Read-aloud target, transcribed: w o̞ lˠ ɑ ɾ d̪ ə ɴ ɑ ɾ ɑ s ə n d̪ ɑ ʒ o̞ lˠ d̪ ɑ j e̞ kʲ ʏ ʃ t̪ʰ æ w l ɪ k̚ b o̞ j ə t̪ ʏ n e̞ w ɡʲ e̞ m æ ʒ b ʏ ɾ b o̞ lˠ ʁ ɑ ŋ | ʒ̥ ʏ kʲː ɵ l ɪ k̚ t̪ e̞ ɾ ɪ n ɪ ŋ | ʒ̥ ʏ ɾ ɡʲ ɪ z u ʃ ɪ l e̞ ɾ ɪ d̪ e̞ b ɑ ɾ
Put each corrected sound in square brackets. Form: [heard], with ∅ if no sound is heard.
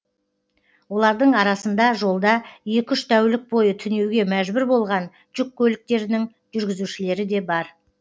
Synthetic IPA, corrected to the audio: w o̞ lˠ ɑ ɾ d̪ ə ɴ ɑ ɾ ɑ s ə n d̪ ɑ ʒ o̞ lˠ d̪ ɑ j e̞ kʲ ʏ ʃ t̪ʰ æ w l ɪ k̚ b o̞ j ə [t̪ʰ] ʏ n e̞ w ɡʲ e̞ m æ ʒ b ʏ ɾ b o̞ lˠ ʁ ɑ [n] | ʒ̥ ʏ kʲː ɵ l ɪ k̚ t̪ e̞ ɾ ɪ n ɪ ŋ | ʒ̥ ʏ ɾ ɡʲ ɪ z u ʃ ɪ l e̞ ɾ ɪ d̪ e̞ b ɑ ɾ